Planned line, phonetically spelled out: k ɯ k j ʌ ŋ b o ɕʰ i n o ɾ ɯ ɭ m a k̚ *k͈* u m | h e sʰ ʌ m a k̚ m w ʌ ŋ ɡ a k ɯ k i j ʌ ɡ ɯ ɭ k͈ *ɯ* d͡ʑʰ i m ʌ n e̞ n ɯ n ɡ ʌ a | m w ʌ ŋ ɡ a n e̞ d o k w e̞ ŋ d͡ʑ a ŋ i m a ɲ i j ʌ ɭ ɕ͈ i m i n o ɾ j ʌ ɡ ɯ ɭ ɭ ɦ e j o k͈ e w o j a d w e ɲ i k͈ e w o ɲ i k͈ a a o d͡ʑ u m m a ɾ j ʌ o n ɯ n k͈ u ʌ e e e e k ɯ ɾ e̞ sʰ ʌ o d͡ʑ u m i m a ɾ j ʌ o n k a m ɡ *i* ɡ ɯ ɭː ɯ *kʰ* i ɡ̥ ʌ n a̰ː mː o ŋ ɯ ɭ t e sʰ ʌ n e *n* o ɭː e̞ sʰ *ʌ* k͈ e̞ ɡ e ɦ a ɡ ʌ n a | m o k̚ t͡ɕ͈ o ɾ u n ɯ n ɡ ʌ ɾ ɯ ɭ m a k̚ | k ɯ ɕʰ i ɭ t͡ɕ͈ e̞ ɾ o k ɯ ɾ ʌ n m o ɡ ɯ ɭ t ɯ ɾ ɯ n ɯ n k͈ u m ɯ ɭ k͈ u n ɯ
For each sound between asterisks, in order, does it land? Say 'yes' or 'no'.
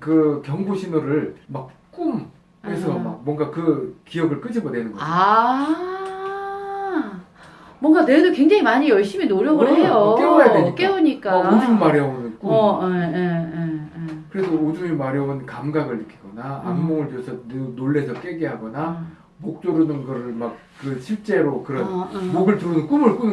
yes, yes, no, yes, yes, yes

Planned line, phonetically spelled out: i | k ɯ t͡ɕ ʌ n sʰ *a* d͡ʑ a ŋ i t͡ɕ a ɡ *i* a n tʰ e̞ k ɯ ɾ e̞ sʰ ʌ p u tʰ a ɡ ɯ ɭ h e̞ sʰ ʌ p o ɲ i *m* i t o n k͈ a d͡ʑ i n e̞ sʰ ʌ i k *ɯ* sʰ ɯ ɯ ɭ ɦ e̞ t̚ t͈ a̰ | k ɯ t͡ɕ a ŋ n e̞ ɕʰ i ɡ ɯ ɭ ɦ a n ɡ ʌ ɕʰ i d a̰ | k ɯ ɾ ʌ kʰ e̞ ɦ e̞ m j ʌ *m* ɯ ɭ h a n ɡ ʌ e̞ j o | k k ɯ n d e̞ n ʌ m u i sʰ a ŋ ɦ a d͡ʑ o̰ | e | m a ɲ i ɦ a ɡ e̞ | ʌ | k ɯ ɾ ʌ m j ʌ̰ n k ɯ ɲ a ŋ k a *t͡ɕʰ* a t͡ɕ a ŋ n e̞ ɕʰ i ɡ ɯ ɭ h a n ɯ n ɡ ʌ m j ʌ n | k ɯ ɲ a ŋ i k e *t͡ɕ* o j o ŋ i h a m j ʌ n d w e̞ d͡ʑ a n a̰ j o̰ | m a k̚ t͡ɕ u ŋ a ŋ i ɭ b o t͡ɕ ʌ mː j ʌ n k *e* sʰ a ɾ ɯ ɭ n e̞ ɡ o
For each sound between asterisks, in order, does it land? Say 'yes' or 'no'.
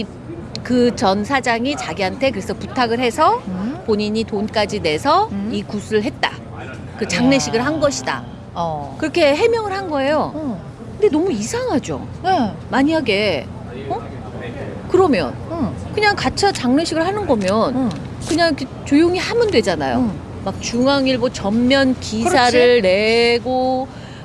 yes, yes, no, no, no, yes, yes, no

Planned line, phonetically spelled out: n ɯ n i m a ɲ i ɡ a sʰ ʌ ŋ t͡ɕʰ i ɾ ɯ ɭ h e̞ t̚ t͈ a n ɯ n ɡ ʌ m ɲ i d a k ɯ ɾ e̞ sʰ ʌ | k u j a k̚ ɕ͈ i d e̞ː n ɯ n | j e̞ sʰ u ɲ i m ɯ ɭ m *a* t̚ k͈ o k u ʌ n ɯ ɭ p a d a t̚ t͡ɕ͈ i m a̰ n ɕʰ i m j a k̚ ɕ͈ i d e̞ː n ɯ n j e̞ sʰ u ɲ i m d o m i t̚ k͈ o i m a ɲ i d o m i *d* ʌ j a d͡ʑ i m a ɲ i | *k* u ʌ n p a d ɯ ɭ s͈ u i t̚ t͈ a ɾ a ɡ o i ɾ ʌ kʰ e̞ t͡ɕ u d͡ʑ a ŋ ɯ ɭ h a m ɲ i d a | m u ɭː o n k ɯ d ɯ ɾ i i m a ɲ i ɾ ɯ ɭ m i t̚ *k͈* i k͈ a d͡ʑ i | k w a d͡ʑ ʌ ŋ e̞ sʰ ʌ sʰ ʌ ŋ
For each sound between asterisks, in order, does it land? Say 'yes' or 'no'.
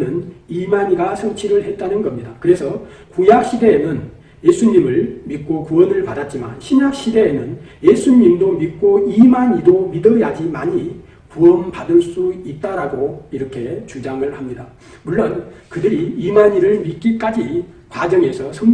no, yes, yes, yes

